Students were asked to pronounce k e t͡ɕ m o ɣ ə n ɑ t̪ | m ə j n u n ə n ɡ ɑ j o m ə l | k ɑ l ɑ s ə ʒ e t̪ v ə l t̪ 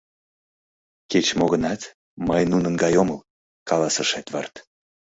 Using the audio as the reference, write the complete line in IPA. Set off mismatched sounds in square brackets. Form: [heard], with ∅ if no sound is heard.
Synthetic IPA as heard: k e t͡ɕ m o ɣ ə n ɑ t̪ | m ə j n u n ə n ɡ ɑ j o m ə l | k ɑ l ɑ s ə [ʃ] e t̪ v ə [r] t̪